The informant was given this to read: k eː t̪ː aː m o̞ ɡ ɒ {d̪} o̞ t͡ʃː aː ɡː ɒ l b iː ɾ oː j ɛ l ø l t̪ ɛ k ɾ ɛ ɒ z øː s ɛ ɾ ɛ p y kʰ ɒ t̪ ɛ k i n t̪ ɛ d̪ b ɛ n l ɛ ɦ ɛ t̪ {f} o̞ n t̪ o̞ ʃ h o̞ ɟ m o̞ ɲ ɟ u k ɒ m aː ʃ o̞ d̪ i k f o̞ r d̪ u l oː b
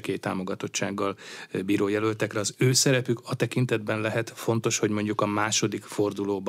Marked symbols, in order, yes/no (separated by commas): no, yes